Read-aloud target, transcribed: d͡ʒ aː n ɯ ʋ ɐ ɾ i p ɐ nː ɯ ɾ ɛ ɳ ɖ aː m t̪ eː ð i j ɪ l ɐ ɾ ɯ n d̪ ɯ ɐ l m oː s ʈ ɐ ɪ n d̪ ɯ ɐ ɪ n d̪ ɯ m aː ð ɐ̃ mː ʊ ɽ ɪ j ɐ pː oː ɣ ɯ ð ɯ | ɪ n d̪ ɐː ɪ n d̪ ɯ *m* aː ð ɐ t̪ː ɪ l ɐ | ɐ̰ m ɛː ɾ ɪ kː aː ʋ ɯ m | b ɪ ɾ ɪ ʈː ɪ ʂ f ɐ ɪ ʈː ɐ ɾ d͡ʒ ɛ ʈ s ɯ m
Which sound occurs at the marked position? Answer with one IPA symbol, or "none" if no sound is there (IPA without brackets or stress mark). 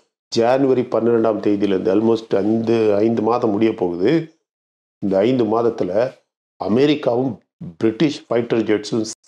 m